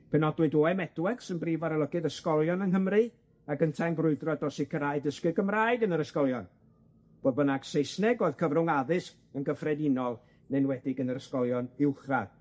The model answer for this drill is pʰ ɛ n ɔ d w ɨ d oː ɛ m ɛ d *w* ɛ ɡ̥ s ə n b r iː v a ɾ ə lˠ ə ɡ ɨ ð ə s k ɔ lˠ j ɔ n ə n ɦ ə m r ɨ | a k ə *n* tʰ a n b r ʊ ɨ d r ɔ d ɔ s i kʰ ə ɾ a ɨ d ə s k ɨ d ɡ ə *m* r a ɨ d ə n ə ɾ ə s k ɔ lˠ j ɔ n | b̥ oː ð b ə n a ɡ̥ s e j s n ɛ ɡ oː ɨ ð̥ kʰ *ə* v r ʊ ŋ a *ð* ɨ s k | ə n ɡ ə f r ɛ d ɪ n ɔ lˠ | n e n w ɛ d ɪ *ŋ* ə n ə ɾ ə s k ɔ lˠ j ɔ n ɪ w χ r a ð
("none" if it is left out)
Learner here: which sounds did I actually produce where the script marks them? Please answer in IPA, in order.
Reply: w, n, m, ə, ð, ɡ

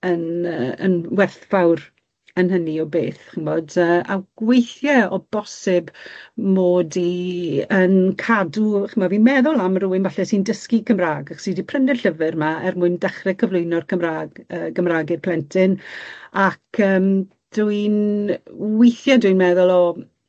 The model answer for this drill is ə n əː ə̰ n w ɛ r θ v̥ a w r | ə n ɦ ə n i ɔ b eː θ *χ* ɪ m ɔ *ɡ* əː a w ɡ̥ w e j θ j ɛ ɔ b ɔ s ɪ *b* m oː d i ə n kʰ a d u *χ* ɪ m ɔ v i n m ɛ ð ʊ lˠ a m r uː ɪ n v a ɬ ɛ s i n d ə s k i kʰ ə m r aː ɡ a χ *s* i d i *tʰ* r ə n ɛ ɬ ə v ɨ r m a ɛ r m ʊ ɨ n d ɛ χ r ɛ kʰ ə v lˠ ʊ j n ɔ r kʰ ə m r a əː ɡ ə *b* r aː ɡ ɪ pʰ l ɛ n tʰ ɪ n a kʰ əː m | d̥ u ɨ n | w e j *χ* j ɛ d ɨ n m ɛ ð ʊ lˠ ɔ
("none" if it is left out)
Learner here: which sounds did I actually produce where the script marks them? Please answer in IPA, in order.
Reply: χ, d, b, χ, s, pʰ, m, θ

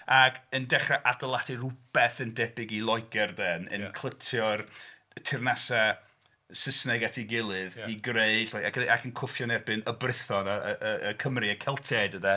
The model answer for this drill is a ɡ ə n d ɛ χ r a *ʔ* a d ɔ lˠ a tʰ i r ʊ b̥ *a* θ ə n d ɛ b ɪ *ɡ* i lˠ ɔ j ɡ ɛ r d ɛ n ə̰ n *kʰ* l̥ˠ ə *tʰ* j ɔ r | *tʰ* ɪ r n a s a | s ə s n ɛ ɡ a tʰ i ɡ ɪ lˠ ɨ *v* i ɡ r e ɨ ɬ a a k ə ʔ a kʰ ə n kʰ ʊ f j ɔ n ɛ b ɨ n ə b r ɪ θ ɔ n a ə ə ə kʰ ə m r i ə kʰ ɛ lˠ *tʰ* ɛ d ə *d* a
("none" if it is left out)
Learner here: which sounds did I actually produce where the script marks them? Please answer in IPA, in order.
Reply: ʔ, ɛ, ɡ, kʰ, tʰ, tʰ, ð, tʰ, d

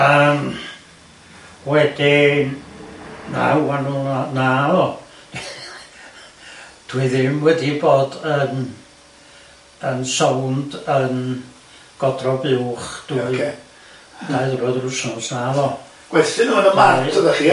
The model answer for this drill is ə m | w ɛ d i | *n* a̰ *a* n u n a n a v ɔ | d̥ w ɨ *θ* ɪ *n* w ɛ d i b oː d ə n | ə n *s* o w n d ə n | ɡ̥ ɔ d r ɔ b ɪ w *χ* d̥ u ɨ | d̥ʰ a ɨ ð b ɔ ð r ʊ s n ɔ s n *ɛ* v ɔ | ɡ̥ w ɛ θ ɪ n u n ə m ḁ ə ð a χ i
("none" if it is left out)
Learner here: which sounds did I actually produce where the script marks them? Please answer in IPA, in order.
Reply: n, a, ð, m, s, χ, a

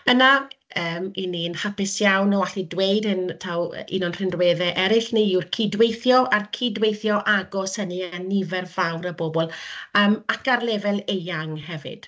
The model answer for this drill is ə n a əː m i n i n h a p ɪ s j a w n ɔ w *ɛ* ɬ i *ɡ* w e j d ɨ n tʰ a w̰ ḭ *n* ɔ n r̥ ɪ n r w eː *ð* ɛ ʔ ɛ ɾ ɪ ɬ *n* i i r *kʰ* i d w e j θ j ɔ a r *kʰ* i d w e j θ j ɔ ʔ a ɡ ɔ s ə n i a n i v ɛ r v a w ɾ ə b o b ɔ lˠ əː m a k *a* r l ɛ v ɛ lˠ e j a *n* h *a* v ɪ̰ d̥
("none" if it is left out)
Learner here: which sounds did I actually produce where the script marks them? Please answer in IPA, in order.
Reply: a, d, n, ð, n, kʰ, kʰ, a, ŋ, ɛ

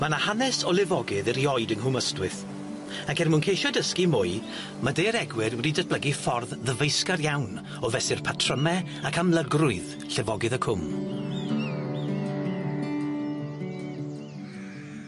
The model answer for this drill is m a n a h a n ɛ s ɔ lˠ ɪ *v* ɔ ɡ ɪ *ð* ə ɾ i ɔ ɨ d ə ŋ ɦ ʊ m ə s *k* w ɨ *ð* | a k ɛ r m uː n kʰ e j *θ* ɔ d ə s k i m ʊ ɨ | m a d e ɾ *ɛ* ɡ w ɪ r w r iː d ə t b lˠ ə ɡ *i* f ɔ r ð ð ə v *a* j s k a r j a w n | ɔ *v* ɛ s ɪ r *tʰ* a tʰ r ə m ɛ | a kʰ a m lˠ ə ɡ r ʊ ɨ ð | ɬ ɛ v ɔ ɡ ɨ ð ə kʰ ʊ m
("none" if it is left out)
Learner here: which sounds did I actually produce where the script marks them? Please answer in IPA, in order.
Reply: v, ð, t, θ, ʃ, ɛ, i, e, v, pʰ

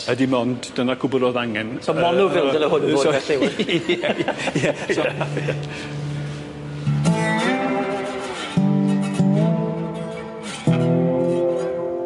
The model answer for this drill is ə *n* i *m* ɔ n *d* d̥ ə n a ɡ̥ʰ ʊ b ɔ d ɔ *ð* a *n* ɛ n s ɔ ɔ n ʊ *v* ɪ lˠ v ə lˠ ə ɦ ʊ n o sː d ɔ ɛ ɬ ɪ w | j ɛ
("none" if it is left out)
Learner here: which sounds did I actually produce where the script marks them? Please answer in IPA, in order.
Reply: d, m, d, ð, ŋ, v

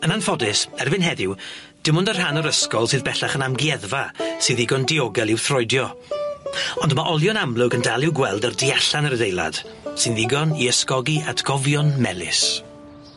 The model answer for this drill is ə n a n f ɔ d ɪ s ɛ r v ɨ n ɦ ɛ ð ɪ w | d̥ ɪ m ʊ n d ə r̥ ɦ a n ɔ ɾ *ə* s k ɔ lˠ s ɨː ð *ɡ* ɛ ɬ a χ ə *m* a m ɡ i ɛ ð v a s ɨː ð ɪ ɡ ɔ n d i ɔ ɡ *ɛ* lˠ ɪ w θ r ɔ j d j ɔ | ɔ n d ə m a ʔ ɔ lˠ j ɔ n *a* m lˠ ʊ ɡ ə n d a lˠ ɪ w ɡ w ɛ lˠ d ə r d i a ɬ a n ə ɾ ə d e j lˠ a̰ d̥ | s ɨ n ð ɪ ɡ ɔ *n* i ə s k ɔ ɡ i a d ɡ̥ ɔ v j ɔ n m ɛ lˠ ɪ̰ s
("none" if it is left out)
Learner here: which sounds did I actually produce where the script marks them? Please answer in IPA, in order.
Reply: ə, b, n, ɛ, a, n

